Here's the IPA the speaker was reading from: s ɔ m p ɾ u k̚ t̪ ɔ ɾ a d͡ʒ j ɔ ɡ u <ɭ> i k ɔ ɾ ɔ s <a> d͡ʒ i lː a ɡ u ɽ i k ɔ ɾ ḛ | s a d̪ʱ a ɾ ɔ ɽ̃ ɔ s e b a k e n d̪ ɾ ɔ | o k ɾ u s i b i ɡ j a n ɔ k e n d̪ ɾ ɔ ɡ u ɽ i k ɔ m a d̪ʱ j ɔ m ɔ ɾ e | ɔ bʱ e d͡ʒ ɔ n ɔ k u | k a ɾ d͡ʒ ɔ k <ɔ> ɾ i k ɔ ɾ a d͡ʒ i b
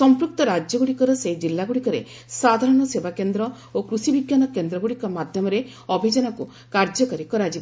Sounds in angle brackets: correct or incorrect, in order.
incorrect, incorrect, correct

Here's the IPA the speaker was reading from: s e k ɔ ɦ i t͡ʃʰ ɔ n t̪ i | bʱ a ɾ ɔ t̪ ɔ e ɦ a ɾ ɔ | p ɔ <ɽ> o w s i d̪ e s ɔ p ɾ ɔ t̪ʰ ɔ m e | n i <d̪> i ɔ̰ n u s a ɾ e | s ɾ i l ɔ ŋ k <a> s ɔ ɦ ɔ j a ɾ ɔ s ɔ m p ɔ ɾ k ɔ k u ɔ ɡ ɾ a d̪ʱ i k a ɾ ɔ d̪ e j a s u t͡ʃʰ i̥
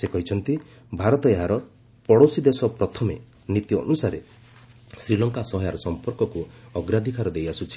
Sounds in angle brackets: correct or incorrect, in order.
correct, incorrect, correct

